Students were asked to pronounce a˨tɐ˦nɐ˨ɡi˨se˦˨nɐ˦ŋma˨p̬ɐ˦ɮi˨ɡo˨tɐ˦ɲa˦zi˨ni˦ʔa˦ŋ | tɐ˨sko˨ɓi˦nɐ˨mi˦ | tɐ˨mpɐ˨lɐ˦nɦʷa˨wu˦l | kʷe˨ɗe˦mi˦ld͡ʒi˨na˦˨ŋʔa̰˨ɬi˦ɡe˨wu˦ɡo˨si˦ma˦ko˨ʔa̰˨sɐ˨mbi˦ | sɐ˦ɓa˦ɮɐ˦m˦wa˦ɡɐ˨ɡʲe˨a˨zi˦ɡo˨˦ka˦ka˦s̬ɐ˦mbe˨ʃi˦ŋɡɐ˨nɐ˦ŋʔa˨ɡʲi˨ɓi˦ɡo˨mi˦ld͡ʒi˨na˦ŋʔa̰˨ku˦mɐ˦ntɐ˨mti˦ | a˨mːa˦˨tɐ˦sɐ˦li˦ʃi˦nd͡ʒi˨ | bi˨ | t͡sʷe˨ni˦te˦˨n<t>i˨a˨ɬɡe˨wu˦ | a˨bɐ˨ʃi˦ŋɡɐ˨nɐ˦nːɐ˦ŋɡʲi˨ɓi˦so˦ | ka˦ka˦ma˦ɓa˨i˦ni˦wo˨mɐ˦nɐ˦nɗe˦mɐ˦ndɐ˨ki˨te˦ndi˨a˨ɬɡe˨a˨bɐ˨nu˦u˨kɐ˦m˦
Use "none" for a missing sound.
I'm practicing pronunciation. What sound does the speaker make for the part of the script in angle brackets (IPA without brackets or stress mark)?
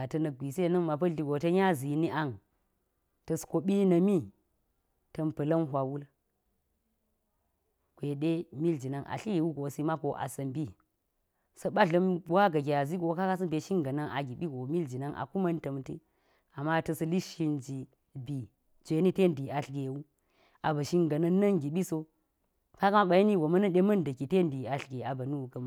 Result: d